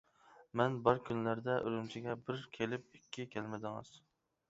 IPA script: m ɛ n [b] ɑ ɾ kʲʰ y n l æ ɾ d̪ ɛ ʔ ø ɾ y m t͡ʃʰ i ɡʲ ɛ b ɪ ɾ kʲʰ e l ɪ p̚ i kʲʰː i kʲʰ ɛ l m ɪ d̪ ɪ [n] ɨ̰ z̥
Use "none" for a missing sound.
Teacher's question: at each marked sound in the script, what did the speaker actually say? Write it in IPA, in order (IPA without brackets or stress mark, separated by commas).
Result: b, ŋ